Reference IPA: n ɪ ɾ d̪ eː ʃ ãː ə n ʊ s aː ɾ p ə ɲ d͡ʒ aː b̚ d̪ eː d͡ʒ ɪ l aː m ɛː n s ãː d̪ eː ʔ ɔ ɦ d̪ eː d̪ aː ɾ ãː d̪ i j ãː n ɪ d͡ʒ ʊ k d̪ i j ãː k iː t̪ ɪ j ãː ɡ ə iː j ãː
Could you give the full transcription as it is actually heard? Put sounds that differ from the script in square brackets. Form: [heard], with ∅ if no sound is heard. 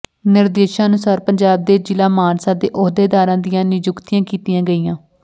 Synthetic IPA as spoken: n ɪ ɾ d̪ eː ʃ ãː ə n ʊ s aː ɾ p ə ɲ d͡ʒ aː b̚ d̪ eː d͡ʒ ɪ l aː m [aː] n s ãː d̪ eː ʔ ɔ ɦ d̪ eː d̪ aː ɾ ãː d̪ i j ãː n ɪ d͡ʒ ʊ k [t̪] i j ãː k iː t̪ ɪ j ãː ɡ ə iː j ãː